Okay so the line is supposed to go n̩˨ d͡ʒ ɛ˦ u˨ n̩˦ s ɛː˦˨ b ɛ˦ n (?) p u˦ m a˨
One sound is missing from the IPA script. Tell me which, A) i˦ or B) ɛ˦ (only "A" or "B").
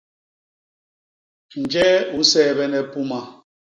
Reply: B